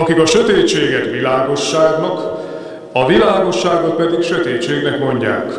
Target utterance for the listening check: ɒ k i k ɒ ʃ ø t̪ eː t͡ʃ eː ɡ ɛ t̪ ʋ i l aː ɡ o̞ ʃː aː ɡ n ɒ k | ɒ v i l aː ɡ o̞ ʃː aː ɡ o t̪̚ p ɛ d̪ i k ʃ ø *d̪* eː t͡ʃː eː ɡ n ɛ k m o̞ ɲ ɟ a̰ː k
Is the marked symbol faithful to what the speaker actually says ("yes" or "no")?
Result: no